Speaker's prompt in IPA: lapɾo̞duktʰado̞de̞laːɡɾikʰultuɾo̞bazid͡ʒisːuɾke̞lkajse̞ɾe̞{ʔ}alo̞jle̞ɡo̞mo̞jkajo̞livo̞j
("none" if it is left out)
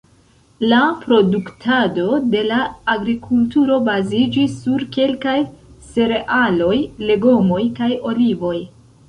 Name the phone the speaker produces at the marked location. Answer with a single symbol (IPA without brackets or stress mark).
ʔ